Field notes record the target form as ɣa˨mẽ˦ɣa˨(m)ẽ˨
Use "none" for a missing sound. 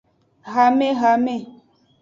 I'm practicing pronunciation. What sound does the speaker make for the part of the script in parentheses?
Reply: m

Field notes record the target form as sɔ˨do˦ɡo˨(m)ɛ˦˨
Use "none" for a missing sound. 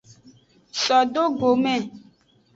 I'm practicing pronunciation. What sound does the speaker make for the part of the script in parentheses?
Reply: m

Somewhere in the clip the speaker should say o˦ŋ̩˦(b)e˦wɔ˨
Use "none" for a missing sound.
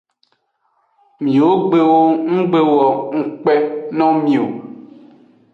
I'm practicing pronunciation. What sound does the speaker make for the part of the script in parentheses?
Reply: ɡ͡b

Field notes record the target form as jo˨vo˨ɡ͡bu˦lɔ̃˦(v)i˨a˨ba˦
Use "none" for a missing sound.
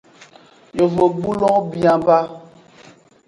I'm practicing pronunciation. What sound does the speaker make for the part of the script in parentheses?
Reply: b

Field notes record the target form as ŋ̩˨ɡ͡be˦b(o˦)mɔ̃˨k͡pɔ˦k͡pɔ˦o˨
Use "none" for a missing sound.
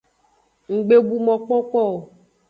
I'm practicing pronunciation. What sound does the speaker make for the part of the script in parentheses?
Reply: u˦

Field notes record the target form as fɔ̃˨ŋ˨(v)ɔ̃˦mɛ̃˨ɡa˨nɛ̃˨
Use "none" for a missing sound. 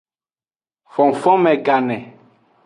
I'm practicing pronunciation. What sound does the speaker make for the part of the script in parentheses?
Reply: f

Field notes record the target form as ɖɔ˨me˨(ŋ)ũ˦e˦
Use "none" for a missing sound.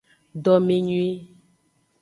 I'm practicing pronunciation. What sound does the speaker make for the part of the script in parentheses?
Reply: ɲ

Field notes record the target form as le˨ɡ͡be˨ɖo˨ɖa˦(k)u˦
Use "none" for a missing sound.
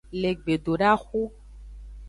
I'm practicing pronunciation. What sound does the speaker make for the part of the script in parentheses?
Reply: x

